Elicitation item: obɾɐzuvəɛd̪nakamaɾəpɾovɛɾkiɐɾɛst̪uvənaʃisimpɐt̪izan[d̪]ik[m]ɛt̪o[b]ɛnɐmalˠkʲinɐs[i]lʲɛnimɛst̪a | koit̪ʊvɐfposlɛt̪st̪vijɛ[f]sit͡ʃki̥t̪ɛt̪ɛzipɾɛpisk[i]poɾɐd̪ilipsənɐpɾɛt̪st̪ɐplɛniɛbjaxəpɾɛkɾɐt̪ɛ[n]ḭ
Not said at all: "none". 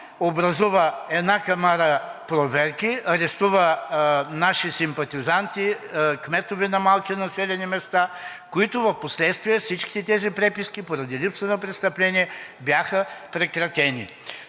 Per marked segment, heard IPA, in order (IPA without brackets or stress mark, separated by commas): t̪, m, v, ɛ, f, i, n